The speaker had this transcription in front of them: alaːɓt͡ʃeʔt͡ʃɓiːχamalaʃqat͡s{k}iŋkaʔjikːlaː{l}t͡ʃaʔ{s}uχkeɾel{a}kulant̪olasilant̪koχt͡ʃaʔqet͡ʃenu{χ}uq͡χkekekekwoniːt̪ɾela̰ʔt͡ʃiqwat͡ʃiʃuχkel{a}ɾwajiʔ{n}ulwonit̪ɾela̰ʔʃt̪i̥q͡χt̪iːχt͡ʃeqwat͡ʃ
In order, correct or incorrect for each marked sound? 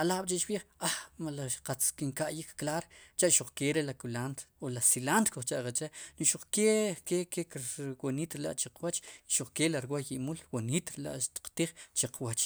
correct, incorrect: ɾ, incorrect: ʃ, correct, incorrect: ʃ, correct, incorrect: m

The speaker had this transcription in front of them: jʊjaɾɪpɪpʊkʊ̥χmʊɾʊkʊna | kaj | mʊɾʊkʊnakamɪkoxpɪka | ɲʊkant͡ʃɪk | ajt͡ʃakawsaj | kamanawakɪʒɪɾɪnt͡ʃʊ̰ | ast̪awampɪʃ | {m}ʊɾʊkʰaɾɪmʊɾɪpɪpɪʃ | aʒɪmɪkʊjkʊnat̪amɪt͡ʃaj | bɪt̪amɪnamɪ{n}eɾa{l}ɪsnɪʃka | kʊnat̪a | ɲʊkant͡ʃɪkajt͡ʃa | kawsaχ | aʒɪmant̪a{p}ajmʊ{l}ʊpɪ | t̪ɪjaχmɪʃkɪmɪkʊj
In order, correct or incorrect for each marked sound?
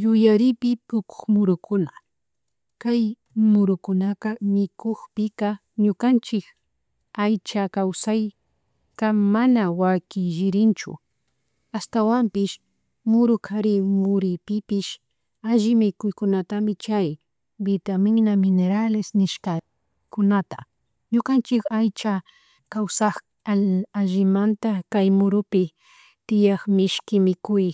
correct, correct, correct, incorrect: k, incorrect: ɾ

